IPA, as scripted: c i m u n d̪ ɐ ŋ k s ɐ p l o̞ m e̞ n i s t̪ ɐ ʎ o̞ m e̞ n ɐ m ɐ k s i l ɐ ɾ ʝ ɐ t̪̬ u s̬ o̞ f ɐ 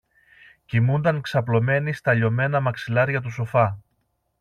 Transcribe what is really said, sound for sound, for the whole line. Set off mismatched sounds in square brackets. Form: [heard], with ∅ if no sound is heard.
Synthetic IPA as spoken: c i m u n d̪ ɐ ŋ k s ɐ p l o̞ m e̞ n i s t̪ ɐ ʎ o̞ m e̞ n ɐ m ɐ k s i l ɐ ɾ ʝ ɐ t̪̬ u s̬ o̞ f ɐ